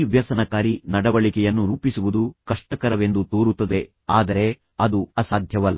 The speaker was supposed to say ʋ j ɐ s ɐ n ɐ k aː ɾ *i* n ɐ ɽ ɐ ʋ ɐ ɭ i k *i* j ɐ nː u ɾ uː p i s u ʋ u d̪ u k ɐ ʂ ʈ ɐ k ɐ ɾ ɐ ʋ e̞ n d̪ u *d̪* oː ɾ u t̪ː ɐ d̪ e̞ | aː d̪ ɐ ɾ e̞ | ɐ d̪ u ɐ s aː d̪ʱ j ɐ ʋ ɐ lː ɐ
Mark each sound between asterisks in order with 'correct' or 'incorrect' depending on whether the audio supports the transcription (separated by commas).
correct, incorrect, incorrect